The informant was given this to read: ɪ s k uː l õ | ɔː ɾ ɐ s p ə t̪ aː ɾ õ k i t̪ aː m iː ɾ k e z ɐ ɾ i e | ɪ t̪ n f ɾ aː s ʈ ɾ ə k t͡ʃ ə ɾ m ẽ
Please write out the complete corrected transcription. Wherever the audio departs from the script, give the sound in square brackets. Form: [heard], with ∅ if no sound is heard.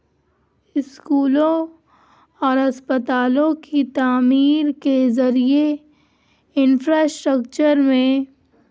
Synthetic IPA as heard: ɪ s k uː l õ | ɔː ɾ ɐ s p ə t̪ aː [l] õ k i t̪ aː m iː ɾ k e z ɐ ɾ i e | ɪ [∅] n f ɾ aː s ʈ ɾ ə k t͡ʃ ə ɾ m ẽ

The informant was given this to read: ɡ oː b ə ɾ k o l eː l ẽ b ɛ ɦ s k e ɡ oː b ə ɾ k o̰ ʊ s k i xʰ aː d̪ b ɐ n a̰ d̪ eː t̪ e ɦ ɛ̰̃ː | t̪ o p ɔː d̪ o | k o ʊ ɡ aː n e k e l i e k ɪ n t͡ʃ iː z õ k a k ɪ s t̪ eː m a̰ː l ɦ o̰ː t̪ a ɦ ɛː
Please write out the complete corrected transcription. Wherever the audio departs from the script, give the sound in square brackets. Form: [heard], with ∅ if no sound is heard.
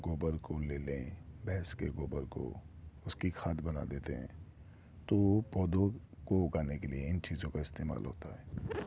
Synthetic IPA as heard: ɡ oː b ə ɾ k o l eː l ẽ b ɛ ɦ s k e ɡ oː b ə ɾ k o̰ ʊ s k i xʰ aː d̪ b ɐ n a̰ d̪ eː t̪ e ɦ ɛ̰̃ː | t̪ o p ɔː d̪ o | k o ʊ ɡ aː n e k e l i e [∅] ɪ n t͡ʃ iː z õ k a [∅] ɪ s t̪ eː m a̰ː l ɦ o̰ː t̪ a ɦ ɛː

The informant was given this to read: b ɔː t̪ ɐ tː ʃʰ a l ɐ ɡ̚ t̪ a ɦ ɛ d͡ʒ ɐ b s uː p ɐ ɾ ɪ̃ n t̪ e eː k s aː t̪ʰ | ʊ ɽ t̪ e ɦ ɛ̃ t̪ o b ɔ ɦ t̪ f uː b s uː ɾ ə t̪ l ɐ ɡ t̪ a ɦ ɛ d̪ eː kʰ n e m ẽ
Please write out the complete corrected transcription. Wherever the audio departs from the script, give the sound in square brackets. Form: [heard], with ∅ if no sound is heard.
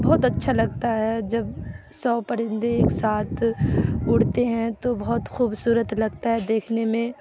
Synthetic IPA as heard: b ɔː t̪ ɐ tː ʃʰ a l ɐ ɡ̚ t̪ a ɦ ɛ d͡ʒ ɐ b s [ɔː] p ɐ ɾ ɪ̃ n [d̪] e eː k s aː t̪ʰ | ʊ ɽ t̪ e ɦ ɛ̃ t̪ o b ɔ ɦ t̪ [x] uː b s uː ɾ ə t̪ l ɐ ɡ t̪ a ɦ ɛ d̪ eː kʰ n e m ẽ

